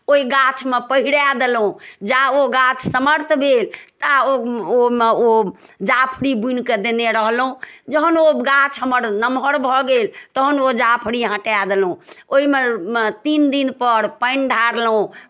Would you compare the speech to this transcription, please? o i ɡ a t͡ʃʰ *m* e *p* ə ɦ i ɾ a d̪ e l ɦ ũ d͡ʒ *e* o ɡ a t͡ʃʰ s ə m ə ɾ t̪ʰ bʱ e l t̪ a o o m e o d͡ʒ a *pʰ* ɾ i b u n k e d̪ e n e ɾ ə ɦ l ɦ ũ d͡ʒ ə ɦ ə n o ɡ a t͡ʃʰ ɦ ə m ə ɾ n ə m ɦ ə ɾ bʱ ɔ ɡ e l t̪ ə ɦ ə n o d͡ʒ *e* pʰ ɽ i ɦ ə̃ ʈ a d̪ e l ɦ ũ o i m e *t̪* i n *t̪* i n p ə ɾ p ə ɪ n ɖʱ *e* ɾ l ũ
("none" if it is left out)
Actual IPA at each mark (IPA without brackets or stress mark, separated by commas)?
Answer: m, p, a, pʰ, a, t̪, d̪, a